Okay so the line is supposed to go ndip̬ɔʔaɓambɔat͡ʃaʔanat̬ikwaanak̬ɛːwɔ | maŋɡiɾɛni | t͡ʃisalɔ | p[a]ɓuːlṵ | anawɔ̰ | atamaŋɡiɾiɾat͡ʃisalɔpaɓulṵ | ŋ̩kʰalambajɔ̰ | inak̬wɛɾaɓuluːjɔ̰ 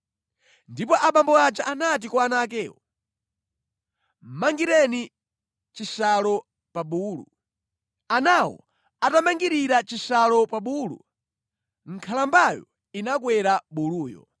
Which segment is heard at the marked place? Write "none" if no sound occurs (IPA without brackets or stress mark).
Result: a